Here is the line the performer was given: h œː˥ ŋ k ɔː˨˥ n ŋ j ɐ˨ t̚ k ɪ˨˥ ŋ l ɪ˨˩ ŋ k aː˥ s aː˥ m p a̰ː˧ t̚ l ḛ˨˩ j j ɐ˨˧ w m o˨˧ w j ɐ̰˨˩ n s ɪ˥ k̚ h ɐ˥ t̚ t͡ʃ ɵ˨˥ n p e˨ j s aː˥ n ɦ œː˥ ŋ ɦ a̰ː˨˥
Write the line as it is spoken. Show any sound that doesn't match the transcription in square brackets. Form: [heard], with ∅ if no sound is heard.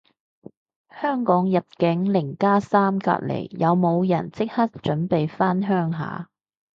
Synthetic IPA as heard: h œː˥ ŋ k ɔː˨˥ [∅] ŋ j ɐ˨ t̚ k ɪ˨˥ ŋ l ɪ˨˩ ŋ k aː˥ s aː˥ m [k] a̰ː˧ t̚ l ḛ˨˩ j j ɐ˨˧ w m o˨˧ w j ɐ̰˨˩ n [t͡s] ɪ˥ k̚ h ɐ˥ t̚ t͡ʃ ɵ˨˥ n p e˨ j [f] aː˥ n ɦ œː˥ ŋ ɦ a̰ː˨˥